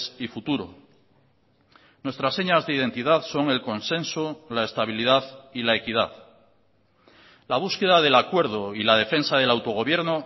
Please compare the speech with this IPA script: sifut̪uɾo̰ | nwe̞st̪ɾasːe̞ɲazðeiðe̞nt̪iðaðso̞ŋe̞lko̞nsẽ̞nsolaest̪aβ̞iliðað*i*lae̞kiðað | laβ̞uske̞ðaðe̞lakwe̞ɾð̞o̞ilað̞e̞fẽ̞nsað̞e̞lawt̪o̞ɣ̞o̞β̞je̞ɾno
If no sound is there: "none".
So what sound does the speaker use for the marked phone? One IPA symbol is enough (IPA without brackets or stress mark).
i